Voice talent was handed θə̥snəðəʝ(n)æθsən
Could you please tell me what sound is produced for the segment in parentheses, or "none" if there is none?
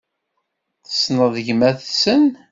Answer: m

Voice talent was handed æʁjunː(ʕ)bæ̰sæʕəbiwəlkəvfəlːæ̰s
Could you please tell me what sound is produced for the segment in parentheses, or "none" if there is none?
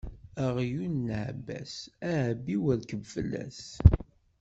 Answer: ʕ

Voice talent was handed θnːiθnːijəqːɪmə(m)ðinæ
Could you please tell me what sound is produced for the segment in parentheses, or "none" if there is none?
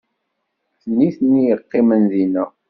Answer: n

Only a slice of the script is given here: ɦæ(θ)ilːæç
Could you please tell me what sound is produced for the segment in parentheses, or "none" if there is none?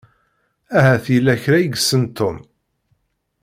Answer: θ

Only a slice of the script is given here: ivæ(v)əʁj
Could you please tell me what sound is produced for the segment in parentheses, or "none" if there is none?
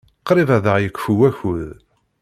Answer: ð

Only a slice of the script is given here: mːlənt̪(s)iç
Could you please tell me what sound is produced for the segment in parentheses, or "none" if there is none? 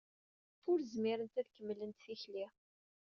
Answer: θ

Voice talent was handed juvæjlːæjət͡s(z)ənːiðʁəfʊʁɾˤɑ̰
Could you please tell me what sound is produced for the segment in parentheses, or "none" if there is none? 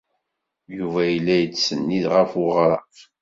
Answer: s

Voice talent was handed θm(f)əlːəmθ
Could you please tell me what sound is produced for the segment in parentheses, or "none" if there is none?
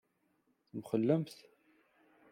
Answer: χ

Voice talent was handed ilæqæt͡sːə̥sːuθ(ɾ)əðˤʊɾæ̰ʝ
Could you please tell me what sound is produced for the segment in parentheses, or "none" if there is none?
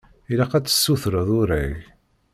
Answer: ɾ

